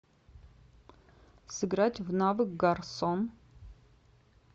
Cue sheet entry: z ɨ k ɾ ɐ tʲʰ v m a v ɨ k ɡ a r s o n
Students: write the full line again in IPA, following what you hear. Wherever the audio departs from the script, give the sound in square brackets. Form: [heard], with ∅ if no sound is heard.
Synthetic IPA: [s] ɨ [ɡ] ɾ [a] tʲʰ v [n] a v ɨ k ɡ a r s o n

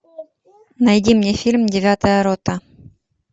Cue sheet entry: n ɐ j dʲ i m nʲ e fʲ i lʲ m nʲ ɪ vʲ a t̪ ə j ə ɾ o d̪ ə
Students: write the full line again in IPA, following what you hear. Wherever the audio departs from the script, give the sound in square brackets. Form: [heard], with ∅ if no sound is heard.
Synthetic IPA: n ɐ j dʲ i m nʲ e fʲ i lʲ m [dʲ] ɪ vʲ a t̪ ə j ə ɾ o [t̪] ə

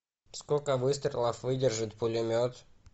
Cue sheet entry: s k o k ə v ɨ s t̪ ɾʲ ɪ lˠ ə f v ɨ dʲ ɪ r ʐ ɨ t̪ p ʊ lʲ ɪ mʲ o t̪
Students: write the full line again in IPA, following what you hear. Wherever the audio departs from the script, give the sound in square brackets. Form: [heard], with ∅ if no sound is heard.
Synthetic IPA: s k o k ə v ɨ s t̪ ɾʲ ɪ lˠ ə f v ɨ dʲ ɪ r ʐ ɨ t̪ p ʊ lʲ ɪ mʲ o t̪

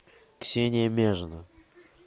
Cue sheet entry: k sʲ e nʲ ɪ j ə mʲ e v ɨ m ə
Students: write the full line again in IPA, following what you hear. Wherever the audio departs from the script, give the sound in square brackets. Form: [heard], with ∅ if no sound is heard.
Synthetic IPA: k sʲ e nʲ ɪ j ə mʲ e [ʐ] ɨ [n] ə

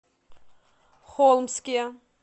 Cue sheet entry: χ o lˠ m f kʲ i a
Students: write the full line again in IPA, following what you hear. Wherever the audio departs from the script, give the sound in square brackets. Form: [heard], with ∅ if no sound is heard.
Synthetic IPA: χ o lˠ m [s] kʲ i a

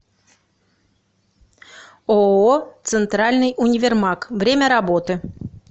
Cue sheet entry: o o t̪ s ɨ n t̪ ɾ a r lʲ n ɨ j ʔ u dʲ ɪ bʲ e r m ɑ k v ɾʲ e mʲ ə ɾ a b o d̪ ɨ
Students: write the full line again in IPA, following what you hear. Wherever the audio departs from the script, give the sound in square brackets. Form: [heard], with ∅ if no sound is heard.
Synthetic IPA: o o t̪ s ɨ n t̪ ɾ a [∅] lʲ n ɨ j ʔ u [nʲ] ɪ [vʲ] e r m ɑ k v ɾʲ e mʲ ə ɾ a b o [t̪] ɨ

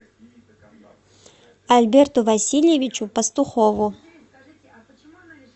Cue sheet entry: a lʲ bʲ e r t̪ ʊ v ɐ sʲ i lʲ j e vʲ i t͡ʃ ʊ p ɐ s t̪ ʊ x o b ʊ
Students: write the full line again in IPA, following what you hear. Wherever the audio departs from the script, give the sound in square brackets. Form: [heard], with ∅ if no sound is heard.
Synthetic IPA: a lʲ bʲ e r t̪ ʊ v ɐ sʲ i lʲ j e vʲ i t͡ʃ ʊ p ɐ s t̪ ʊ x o [v] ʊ

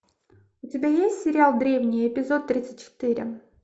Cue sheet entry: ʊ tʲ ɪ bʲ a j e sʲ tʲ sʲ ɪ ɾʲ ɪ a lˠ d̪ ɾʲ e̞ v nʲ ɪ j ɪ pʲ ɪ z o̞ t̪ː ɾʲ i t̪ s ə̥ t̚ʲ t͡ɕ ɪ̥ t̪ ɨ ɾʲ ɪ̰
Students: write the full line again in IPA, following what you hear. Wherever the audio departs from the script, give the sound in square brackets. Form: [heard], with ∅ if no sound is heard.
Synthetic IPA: ʊ tʲ ɪ bʲ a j e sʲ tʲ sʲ ɪ ɾʲ ɪ a lˠ d̪ ɾʲ e̞ v nʲ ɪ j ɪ pʲ ɪ z o̞ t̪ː ɾʲ i t̪ s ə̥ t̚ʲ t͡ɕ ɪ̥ t̪ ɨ ɾʲ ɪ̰

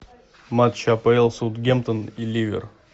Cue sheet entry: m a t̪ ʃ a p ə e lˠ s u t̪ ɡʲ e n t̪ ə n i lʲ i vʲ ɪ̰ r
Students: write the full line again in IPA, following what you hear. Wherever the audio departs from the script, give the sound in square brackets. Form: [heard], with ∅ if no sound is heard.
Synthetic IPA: m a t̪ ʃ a p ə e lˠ s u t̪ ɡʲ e [m] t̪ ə n i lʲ i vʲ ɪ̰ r

